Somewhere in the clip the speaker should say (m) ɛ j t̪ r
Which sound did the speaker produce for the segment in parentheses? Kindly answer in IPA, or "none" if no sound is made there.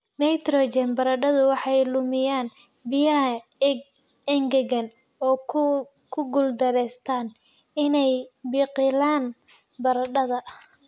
n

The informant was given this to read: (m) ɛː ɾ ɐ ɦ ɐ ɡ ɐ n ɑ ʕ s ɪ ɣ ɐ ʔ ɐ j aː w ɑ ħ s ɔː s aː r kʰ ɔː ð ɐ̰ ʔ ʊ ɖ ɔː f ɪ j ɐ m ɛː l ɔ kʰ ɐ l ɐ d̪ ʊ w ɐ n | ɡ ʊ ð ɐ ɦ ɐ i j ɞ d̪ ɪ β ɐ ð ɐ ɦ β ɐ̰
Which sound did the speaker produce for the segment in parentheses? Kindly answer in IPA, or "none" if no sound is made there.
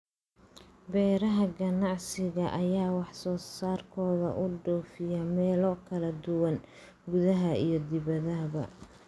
b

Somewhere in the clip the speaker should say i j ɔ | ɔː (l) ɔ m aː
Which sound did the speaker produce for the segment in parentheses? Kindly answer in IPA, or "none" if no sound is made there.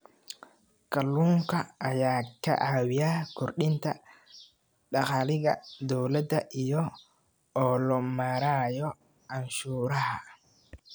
l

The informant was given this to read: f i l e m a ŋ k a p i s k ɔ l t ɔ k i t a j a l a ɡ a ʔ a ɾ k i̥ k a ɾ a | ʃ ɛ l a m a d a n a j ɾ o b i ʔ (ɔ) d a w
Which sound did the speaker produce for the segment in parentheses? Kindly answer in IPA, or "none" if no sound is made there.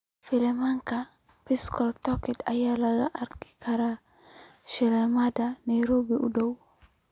u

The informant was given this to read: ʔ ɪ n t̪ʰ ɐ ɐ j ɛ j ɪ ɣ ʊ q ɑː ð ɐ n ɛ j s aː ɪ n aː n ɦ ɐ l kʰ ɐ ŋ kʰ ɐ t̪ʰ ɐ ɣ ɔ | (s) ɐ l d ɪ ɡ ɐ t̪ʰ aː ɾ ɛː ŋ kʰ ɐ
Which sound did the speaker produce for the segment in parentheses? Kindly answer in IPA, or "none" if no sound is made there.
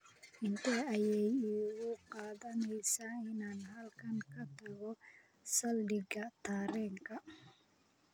s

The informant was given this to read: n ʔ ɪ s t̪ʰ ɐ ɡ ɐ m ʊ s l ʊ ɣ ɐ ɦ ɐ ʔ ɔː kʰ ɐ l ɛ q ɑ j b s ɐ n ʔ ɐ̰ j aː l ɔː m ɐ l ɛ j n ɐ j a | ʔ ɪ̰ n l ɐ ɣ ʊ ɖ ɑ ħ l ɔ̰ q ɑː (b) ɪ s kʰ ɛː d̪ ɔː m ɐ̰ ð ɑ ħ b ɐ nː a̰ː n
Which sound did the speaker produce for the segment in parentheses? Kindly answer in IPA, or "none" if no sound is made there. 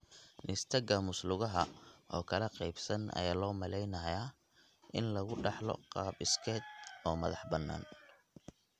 b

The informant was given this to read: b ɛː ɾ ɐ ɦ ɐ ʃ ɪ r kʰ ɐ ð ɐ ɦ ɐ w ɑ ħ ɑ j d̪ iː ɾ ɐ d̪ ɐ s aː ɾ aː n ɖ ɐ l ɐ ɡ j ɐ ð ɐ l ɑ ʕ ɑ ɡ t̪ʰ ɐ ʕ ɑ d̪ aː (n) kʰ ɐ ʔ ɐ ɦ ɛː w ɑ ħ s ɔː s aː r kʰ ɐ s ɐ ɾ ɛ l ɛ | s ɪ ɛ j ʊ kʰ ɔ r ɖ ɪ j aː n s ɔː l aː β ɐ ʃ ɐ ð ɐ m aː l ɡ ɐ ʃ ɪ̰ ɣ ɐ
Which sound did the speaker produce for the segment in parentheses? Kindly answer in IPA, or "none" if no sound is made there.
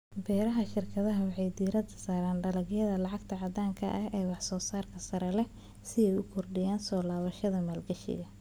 ŋ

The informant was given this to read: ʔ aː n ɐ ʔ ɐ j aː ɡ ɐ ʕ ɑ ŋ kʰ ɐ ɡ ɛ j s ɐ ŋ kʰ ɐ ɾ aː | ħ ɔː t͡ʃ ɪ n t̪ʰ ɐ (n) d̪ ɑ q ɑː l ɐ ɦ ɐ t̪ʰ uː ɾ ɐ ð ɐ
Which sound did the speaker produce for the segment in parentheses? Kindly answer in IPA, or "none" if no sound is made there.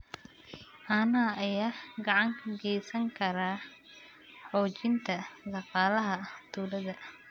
none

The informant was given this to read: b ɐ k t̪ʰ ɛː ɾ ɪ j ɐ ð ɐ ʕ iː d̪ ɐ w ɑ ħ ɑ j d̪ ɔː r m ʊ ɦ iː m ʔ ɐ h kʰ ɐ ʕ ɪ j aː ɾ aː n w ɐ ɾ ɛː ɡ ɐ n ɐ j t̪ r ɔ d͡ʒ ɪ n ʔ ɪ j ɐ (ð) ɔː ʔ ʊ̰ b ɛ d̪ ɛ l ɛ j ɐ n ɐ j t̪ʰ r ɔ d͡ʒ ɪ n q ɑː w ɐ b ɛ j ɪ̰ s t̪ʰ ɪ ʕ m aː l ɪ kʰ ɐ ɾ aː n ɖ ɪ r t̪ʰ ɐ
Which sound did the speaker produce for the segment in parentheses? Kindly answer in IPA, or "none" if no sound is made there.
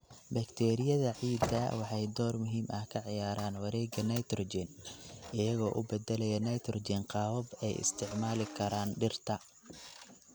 ɣ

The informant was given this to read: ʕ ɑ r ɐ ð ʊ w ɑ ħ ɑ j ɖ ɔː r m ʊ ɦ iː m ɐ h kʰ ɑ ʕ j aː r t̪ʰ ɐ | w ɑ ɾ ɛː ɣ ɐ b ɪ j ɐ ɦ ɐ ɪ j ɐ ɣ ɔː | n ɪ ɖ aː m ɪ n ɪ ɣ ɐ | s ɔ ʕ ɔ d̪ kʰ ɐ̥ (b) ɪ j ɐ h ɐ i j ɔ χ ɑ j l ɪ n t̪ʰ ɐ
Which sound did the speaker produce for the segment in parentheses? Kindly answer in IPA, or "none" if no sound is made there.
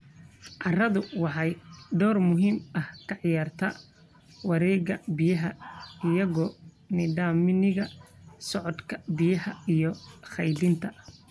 b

